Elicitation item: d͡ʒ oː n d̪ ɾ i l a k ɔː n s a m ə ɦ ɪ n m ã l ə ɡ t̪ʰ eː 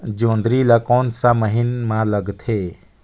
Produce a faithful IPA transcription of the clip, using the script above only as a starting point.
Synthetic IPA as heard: d͡ʒ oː n d̪ ɾ i l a k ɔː n s a m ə ɦ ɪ n m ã l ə ɡ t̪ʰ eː

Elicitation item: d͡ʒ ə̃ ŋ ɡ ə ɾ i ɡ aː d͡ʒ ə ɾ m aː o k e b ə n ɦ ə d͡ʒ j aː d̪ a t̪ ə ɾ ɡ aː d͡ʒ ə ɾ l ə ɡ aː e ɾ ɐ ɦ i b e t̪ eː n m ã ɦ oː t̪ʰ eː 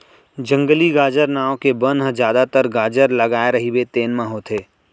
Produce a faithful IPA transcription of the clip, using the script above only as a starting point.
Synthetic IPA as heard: d͡ʒ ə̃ ŋ ɡ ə l i ɡ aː d͡ʒ ə ɾ n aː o k e b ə n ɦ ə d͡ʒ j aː d̪ a t̪ ə ɾ ɡ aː d͡ʒ ə ɾ l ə ɡ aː e ɾ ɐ ɦ i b e t̪ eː n m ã ɦ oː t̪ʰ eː

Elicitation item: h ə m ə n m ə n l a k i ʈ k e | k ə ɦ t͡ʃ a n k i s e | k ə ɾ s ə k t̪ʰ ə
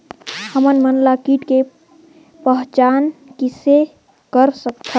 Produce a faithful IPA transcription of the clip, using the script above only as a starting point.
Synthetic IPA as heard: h ə m ə n m ə n l a k i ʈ k e | p ə ɦ t͡ʃ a n k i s e | k ə ɾ s ə k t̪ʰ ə

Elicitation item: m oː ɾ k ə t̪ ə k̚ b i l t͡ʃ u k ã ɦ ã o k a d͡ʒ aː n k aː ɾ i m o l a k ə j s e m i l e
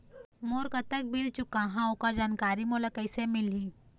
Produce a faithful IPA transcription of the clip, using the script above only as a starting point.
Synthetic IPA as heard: m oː ɾ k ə t̪ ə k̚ b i l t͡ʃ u k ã ɦ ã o k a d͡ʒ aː n k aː ɾ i m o l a k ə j s e m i l i

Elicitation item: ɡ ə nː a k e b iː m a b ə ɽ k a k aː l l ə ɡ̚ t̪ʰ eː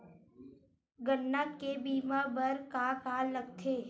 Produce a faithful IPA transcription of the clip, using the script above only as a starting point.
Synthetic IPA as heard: ɡ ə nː a k e b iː m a b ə ɾ k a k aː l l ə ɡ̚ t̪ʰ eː

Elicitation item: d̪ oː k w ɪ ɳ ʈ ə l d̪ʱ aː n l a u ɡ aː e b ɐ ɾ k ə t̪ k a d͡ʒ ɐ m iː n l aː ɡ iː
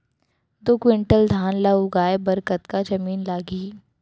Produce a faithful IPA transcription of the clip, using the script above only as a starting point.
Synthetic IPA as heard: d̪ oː k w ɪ ɳ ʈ ə l d̪ʱ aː n l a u ɡ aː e b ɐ ɾ k ə t̪ k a d͡ʒ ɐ m iː n l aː ɡ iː

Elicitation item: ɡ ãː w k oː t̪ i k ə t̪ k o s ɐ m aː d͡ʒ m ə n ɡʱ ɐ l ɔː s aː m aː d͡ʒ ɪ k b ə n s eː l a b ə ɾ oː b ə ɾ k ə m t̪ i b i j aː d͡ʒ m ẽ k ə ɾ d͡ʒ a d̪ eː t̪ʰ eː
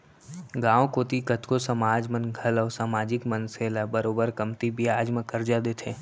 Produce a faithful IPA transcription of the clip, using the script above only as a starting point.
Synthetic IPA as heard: ɡ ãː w k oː t̪ i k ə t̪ k o s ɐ m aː d͡ʒ m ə n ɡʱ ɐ l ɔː s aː m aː d͡ʒ ɪ k m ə n s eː l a b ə ɾ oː b ə ɾ k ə m t̪ i b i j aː d͡ʒ m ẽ k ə ɾ d͡ʒ a d̪ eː t̪ʰ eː

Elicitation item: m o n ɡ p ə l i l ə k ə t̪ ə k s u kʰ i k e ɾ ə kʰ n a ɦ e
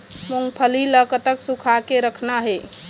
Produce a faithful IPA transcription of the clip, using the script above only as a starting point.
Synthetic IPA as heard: m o ŋ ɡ pʰ ə l i l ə k ə t̪ ə k s u kʰ a k e ɾ ə kʰ n a ɦ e

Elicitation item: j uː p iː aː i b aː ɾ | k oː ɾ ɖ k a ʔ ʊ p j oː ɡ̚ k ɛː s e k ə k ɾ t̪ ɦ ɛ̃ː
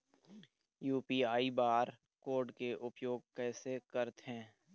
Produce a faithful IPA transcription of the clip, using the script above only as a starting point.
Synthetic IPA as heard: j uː p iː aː i b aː ɾ | k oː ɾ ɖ k e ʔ ʊ p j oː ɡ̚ k ɛː s e k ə ɾ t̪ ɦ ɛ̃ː

